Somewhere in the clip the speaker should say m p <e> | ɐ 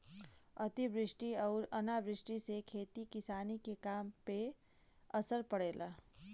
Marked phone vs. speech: correct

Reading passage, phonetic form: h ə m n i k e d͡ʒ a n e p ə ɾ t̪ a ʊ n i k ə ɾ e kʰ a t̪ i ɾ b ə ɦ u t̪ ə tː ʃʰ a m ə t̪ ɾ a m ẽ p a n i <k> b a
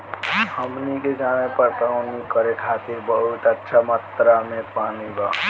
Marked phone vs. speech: incorrect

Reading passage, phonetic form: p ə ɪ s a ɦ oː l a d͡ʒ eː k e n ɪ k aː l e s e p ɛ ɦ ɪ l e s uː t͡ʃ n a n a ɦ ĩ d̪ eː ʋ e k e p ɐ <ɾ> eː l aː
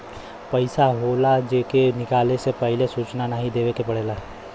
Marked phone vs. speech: incorrect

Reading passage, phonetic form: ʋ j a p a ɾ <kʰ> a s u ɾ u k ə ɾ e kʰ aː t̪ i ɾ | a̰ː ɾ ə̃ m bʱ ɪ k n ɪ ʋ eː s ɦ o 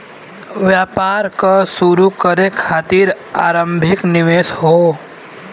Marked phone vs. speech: incorrect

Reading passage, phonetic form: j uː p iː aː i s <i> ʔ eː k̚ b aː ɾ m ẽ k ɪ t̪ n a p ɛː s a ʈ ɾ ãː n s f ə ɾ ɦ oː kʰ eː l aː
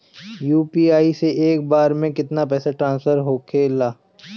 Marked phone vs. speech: incorrect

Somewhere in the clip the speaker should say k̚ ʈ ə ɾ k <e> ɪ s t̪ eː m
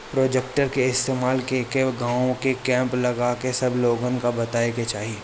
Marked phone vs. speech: correct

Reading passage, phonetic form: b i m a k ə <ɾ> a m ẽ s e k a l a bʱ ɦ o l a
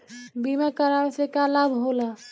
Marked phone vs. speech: correct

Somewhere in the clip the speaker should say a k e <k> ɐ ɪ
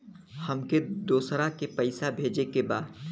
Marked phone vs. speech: incorrect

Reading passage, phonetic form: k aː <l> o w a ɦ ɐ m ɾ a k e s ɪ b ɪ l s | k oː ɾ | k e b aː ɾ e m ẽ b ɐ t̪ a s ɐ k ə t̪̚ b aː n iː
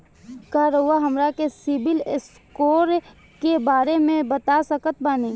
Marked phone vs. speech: incorrect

